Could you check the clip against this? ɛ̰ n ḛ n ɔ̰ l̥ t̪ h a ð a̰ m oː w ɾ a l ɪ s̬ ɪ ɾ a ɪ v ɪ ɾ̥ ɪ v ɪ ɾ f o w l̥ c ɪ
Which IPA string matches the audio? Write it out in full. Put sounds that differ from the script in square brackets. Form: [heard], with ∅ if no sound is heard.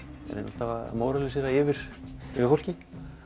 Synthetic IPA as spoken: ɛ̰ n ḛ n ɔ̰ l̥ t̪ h a [v] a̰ m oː w ɾ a l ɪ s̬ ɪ ɾ a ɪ v ɪ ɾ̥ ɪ v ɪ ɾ f o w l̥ c ɪ